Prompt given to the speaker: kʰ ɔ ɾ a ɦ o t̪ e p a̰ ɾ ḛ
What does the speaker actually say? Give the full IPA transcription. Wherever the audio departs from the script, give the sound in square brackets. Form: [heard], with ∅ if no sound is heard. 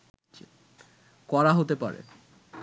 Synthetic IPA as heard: [k] ɔ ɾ a ɦ o t̪ e p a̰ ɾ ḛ